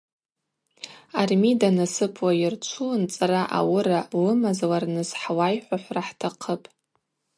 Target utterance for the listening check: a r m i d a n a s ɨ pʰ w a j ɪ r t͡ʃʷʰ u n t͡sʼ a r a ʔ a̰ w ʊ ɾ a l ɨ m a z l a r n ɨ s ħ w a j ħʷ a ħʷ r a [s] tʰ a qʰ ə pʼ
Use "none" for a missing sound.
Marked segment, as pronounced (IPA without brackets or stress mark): ħ